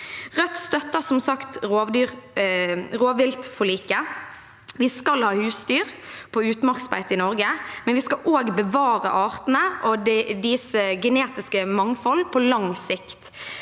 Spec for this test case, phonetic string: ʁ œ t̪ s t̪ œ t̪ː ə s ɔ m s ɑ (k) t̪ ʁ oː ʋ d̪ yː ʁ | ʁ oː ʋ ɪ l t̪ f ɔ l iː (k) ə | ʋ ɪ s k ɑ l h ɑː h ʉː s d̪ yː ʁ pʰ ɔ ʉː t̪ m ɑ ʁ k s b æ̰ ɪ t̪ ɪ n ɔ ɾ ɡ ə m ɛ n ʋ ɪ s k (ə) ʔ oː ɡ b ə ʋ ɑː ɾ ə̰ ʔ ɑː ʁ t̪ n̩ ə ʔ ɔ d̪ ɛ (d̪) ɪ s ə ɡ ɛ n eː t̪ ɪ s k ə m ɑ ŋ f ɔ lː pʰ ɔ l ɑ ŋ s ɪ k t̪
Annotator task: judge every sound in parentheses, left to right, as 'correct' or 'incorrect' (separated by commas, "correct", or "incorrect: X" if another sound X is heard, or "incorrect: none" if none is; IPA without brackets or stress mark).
correct, correct, incorrect: ɑ, correct